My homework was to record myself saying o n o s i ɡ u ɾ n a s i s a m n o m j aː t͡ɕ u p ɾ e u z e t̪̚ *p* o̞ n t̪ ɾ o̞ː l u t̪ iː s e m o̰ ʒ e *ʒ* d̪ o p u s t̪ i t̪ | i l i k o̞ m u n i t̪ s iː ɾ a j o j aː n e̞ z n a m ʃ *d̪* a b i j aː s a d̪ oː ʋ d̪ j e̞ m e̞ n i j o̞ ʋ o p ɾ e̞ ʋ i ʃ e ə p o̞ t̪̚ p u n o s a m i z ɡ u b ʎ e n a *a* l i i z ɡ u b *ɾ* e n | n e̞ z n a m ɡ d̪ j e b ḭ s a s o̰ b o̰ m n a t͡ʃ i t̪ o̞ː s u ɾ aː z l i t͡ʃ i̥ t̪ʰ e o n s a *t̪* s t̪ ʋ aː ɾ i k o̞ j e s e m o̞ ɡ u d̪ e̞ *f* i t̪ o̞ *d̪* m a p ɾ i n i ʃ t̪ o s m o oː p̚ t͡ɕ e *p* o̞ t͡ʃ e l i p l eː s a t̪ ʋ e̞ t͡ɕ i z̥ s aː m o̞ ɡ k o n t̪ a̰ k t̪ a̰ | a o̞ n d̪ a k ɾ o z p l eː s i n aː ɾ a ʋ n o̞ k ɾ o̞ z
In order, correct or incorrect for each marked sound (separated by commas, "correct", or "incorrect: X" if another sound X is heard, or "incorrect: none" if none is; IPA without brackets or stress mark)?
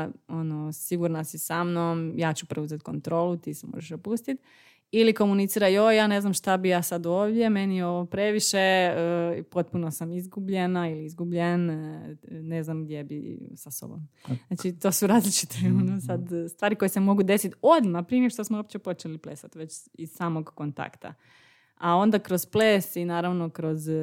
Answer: incorrect: k, incorrect: ʃ, incorrect: t̪, incorrect: i, incorrect: ʎ, incorrect: d̪, incorrect: s, correct, correct